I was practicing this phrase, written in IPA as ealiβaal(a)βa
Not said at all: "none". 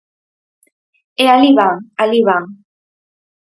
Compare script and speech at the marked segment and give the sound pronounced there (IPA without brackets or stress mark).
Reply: i